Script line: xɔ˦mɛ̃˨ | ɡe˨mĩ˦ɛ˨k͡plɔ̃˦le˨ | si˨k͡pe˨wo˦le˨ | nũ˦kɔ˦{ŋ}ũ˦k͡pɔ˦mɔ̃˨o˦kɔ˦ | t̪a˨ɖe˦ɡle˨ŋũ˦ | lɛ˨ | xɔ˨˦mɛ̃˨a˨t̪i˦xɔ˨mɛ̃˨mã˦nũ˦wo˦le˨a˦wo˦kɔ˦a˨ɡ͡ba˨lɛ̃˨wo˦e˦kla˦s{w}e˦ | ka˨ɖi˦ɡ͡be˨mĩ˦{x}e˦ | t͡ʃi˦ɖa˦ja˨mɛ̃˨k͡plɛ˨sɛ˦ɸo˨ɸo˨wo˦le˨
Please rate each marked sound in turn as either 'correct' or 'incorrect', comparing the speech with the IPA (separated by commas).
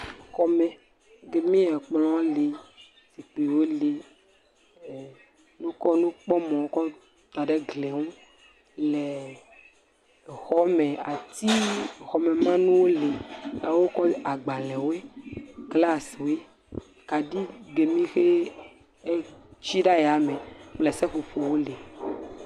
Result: incorrect, correct, correct